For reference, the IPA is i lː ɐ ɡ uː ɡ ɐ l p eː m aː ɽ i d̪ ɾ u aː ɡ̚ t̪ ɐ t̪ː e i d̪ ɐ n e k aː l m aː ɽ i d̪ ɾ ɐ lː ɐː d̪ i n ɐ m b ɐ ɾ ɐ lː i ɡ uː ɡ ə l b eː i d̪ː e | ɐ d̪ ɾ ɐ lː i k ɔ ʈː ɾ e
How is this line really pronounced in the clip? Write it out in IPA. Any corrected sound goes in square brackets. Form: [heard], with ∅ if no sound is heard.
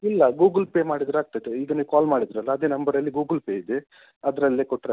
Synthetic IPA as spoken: i lː ɐ ɡ uː ɡ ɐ l p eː m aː ɽ i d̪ ɾ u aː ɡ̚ t̪ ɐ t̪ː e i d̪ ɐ n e k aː l m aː ɽ i d̪ ɾ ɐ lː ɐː d̪ [e] n ɐ m b ɐ ɾ ɐ lː i ɡ uː ɡ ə l [p] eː i [d̪] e | ɐ d̪ ɾ ɐ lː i k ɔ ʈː ɾ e